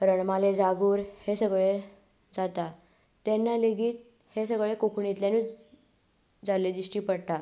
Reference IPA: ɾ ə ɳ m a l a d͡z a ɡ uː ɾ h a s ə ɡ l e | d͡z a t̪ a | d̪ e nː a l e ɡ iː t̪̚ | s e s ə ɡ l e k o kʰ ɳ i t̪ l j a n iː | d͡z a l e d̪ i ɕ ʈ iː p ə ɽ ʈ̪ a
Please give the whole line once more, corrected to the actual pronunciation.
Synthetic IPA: ɾ ə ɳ m a l e d͡z a ɡ uː ɾ h e s ə ɡ ɭ e | d͡z a t̪ a | t̪ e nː a l e ɡ iː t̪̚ | h e s ə ɡ ɭ e k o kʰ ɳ i t̪ l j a n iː | d͡z a l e d̪ i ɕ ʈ iː p ə ɽ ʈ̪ a